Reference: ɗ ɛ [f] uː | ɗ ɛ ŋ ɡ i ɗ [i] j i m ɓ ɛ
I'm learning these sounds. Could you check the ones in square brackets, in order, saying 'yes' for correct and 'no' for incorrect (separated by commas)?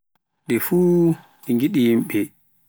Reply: yes, yes